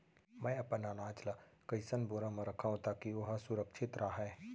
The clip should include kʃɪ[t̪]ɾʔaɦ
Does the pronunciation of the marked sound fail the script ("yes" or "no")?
no